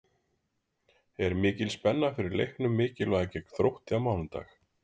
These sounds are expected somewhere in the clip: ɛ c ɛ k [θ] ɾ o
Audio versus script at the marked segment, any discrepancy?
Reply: no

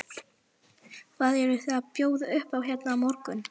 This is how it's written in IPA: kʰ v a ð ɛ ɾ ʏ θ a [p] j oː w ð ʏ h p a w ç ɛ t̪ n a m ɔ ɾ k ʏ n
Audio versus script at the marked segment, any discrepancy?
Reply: no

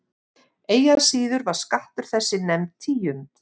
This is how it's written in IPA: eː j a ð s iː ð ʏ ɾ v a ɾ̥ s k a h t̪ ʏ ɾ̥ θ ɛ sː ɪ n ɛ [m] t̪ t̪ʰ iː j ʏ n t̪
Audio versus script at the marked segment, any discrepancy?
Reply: no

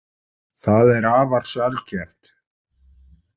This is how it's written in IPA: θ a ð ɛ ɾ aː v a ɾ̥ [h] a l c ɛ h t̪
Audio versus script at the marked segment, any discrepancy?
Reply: yes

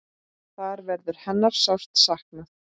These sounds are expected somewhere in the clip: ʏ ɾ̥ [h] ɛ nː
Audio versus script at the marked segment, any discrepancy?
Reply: no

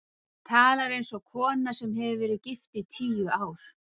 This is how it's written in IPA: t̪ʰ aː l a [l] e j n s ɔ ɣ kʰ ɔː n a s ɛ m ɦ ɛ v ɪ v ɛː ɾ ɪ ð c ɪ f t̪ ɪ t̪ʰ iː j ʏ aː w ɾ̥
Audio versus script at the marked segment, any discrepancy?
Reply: yes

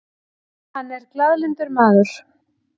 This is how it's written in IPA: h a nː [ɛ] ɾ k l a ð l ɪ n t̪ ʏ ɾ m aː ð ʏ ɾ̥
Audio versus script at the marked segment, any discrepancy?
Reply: no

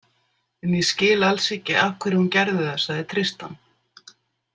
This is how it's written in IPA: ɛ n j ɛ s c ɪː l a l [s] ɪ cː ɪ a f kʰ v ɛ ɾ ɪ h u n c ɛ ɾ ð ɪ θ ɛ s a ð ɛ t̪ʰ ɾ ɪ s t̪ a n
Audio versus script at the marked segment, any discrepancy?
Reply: no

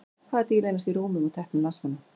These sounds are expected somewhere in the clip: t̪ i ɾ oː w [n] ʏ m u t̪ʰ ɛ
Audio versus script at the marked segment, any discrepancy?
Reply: yes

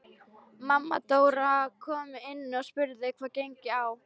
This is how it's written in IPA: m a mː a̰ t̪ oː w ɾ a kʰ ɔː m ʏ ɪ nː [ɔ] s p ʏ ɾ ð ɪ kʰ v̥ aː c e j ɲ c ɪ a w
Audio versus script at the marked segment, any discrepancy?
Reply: no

